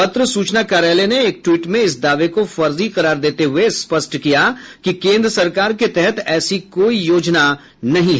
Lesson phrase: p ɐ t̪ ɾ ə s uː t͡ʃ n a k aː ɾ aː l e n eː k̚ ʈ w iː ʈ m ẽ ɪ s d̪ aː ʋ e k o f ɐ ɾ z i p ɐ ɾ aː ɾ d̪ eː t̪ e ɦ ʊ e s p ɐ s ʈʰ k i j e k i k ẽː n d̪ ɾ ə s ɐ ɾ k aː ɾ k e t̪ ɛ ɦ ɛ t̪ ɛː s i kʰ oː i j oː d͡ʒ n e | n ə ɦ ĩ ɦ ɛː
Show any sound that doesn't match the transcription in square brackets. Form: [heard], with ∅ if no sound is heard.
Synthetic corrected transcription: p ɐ t̪ ɾ ə s uː t͡ʃ n a k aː ɾ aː l e n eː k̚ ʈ w iː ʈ m ẽ ɪ s d̪ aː ʋ e k o f ɐ ɾ z i [q] ɐ ɾ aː ɾ d̪ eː t̪ e ɦ ʊ e s p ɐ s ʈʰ k i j [a] k i k ẽː n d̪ ɾ ə s ɐ ɾ k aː ɾ k e t̪ ɛ ɦ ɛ t̪ ɛː s i [k] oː i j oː d͡ʒ n [a] | n [ɐ] ɦ ĩ ɦ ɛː